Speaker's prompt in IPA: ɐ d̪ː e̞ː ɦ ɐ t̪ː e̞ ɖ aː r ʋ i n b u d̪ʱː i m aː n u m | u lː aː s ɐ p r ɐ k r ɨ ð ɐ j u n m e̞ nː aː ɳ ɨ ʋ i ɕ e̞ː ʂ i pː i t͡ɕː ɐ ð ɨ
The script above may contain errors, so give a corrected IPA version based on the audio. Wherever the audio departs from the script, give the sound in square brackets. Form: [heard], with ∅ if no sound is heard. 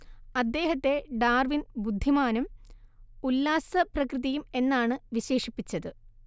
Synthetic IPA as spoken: ɐ d̪ː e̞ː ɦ ɐ t̪ː e̞ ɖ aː r ʋ i n b u d̪ʱː i m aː n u m | u lː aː s ɐ p r ɐ k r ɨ ð ɐ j u [∅] m e̞ nː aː ɳ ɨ ʋ i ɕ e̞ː ʂ i pː i t͡ɕː ɐ ð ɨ